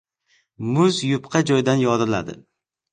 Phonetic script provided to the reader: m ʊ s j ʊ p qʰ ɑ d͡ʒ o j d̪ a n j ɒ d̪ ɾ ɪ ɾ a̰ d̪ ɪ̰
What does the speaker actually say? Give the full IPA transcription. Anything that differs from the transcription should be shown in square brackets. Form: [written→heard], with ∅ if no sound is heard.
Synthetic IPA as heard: m ʊ [s→z] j ʊ p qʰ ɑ d͡ʒ [o→ɒ] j d̪ a n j ɒ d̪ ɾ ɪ [ɾ→l] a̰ d̪ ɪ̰